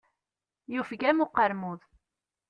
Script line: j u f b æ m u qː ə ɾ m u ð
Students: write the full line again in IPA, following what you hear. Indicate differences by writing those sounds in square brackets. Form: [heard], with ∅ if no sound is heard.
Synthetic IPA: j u f [ɡ] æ m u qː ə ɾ m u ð